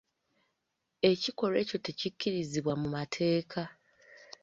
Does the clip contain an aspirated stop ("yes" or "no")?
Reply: yes